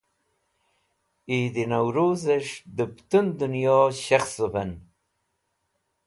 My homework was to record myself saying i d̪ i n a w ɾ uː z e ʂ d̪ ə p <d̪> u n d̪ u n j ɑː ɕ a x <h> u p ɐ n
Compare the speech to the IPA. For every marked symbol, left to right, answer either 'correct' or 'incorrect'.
incorrect: t̪, incorrect: s

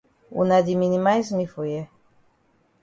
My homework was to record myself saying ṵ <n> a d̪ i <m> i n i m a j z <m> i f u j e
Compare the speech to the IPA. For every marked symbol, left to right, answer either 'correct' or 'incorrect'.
correct, correct, correct

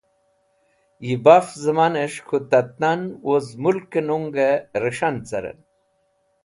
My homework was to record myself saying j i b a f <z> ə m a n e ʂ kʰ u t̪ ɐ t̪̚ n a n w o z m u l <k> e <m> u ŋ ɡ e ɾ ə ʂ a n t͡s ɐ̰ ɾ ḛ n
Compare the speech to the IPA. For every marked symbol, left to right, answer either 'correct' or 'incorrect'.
correct, correct, incorrect: n

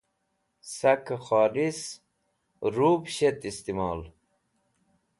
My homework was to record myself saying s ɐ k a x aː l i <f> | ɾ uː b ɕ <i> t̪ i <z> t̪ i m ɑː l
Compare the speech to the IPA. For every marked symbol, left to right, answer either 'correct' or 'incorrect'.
incorrect: s, incorrect: e, incorrect: s

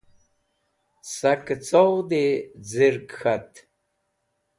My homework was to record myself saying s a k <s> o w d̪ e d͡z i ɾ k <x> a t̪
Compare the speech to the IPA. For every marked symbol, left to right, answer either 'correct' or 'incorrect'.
incorrect: t͡s, correct

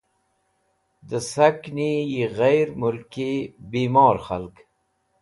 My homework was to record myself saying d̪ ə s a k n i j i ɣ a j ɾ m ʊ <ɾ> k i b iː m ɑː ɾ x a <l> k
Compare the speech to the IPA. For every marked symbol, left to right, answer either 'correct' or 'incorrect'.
incorrect: l, correct

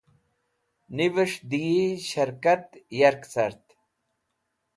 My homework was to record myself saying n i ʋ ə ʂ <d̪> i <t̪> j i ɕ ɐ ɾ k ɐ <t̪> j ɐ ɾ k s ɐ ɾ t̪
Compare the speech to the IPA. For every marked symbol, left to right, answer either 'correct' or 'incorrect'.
correct, incorrect: none, correct

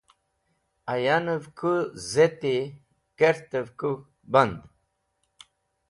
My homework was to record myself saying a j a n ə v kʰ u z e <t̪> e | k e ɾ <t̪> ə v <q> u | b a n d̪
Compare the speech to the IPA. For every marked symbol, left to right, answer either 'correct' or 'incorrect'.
correct, correct, incorrect: k

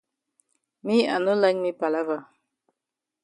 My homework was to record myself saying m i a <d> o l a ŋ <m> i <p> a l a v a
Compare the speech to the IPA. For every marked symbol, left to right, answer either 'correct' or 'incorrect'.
incorrect: n, correct, correct

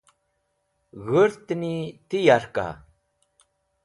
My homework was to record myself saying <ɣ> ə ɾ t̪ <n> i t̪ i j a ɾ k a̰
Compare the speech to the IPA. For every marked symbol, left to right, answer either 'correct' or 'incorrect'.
correct, correct

